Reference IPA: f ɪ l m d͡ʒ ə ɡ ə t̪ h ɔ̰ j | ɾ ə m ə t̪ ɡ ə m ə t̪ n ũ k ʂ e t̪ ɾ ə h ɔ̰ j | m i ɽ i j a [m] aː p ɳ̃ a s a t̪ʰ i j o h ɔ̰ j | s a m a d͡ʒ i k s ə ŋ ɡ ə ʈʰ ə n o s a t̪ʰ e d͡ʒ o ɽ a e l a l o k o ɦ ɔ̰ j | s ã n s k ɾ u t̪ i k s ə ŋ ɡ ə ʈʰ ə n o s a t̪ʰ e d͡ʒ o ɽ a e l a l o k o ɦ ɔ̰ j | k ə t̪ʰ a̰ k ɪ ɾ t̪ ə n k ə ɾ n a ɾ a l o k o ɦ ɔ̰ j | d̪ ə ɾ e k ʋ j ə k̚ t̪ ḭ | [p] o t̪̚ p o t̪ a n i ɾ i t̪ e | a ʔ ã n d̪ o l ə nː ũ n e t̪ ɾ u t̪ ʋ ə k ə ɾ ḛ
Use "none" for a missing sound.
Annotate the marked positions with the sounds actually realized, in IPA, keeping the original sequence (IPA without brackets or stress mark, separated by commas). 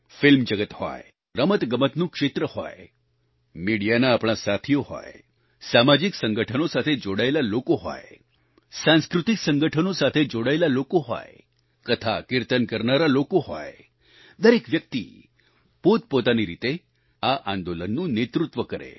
n, p